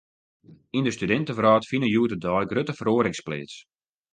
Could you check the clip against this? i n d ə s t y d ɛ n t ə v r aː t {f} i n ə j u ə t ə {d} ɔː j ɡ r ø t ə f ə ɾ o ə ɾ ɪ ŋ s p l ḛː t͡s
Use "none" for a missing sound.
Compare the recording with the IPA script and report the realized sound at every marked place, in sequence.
f, d

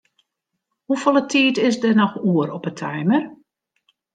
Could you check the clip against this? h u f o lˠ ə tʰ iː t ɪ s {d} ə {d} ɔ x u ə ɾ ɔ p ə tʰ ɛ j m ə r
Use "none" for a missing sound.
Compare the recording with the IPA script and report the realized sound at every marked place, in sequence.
d, n

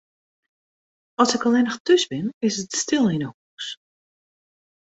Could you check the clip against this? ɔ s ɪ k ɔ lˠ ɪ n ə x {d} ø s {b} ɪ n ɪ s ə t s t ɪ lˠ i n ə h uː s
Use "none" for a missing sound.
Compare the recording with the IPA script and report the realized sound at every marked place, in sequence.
t, b

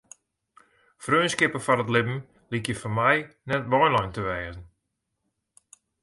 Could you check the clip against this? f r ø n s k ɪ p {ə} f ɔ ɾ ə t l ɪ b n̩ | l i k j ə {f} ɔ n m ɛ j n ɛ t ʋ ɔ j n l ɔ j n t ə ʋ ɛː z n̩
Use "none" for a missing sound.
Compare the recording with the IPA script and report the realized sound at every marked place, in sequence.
ə, f

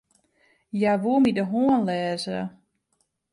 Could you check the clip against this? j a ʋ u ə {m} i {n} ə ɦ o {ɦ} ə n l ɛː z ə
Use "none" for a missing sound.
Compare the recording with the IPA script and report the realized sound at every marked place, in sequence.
m, d, none

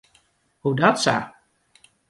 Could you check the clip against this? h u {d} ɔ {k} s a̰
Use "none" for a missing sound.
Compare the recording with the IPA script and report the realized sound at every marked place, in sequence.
d, t

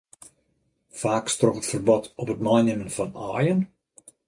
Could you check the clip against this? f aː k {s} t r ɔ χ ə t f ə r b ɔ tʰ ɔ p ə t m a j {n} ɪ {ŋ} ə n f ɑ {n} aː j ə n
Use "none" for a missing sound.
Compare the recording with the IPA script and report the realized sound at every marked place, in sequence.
s, n, m, n

